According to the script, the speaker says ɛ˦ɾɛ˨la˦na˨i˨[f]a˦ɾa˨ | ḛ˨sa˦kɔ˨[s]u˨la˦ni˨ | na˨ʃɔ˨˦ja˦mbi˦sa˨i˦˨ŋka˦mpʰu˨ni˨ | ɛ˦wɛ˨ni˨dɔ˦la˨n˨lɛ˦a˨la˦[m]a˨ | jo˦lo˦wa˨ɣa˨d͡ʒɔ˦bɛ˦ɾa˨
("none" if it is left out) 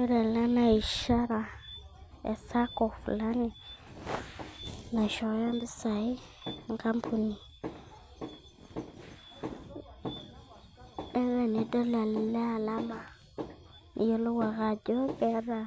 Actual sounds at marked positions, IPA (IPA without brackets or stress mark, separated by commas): ʃ, f, m